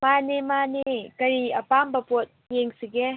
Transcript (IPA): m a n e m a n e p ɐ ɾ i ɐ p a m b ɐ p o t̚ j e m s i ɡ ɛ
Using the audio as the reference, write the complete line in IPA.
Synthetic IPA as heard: m a n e m a n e k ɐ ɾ i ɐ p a m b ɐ p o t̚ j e ŋ s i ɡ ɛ